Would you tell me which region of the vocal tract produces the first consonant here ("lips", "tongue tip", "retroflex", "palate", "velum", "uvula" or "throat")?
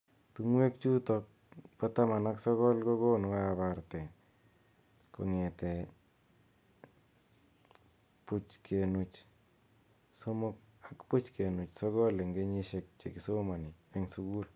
tongue tip